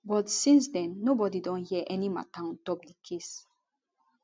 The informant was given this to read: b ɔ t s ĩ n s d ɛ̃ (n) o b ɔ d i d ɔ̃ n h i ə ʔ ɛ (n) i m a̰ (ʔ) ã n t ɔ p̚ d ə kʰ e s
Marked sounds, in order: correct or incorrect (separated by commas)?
incorrect, correct, incorrect